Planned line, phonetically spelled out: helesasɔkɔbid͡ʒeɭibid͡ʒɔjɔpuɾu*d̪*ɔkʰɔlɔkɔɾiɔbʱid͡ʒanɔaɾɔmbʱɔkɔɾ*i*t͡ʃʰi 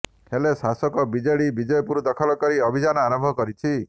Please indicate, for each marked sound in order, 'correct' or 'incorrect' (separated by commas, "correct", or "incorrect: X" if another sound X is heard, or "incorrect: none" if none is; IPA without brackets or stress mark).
correct, correct